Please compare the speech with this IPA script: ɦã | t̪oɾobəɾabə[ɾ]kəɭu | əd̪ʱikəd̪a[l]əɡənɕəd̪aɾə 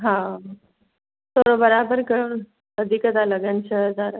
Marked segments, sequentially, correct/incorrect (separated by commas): correct, correct